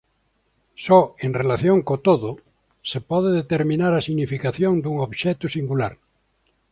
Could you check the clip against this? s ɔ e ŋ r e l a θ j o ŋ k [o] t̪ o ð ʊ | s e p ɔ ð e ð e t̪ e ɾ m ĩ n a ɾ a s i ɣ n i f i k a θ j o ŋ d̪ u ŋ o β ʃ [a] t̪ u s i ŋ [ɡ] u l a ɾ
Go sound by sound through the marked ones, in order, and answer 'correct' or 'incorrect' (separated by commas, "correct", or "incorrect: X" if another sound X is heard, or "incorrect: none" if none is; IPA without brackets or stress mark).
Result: correct, incorrect: ɛ, correct